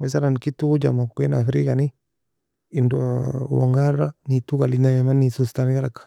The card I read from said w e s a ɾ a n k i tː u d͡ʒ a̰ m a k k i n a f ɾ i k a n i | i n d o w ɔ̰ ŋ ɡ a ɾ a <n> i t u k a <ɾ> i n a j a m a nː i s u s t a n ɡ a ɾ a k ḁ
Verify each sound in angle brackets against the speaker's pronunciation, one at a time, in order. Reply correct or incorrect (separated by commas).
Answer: correct, incorrect